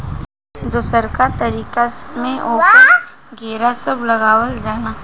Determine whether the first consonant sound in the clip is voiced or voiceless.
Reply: voiced